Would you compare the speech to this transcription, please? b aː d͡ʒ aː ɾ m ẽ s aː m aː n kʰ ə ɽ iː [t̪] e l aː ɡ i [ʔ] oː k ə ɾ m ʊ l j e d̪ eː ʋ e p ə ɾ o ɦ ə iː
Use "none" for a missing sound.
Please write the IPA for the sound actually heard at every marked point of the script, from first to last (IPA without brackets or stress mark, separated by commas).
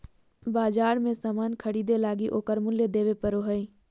d̪, ʔ